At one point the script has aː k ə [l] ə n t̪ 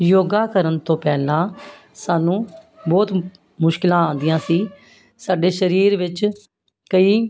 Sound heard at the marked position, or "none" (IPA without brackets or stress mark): ɾ